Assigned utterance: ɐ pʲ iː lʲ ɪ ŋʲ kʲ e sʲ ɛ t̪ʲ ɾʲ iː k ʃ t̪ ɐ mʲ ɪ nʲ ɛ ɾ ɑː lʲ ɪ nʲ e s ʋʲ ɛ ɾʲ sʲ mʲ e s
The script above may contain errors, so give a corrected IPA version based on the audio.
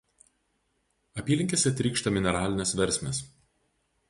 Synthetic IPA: ɐ pʲ iː lʲ ɪ ŋʲ kʲ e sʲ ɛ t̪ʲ ɾʲ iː k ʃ t̪ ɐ mʲ ɪ nʲ ɛ ɾ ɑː lʲ ɪ nʲ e s ʋʲ ɛ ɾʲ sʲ mʲ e s